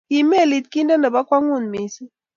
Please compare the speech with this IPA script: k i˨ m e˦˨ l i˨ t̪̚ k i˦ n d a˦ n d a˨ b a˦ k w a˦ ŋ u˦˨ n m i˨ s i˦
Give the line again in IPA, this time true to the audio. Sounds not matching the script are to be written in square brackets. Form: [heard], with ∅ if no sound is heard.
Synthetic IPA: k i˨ m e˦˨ l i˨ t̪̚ k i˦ n d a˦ n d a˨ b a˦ k w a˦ ŋ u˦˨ n m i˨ s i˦